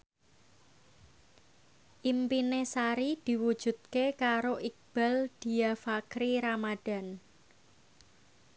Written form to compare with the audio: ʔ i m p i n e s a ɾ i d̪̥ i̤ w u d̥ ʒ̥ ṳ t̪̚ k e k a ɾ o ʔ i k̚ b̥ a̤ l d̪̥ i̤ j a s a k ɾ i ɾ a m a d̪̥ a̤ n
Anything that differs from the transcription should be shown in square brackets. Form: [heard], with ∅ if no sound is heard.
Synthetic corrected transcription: ʔ i m p i n e s a ɾ i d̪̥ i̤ w u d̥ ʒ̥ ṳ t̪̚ k e k a ɾ o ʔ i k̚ b̥ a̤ l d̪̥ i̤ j a [f] a k ɾ i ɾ a m a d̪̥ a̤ n